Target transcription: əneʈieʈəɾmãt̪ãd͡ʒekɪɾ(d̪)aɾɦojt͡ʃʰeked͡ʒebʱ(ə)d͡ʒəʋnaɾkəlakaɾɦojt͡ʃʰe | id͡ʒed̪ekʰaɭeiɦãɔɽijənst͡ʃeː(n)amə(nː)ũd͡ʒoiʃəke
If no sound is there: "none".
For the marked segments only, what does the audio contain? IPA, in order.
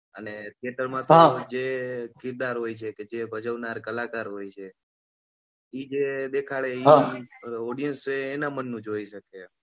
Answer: d̪, ə, n, nː

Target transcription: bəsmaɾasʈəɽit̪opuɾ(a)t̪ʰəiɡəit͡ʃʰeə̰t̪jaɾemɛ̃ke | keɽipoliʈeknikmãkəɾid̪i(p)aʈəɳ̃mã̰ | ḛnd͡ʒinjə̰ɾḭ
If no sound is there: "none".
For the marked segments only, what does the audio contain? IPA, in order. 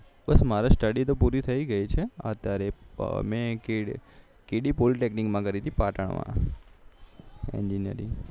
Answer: i, p

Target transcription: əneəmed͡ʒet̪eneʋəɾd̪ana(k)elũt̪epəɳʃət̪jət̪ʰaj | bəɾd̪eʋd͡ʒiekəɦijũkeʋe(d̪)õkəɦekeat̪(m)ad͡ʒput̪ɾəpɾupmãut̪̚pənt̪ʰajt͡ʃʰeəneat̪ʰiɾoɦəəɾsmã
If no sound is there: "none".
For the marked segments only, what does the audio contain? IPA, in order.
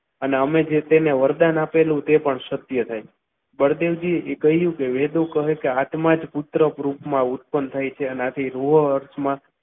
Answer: p, d̪, m

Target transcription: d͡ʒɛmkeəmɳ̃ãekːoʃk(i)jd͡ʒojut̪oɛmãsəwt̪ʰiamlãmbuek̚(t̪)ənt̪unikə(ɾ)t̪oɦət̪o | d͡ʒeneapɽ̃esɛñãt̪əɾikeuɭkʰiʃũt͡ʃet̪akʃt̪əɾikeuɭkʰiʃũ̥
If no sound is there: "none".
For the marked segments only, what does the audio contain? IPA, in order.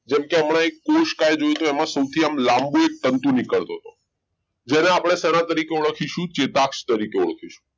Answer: a, t̪, ɭ

